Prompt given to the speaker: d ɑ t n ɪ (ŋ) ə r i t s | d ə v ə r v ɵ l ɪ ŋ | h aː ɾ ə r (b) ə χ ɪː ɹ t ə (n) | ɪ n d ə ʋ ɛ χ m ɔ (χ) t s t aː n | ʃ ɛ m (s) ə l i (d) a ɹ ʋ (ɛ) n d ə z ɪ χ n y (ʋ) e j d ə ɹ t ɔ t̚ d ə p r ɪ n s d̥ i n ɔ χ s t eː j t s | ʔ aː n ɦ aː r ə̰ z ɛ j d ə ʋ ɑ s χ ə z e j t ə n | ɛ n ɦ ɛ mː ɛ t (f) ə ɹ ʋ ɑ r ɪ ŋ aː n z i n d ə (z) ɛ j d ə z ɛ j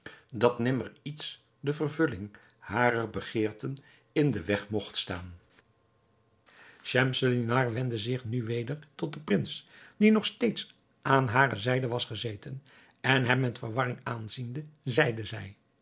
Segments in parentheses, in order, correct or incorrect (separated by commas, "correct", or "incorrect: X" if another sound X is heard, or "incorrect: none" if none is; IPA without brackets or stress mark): incorrect: m, correct, correct, correct, correct, incorrect: n, correct, correct, correct, correct